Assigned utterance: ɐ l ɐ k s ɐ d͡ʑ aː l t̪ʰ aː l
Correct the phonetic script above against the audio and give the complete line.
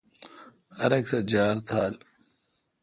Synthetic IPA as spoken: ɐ ɾ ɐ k s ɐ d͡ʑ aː ɾ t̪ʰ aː l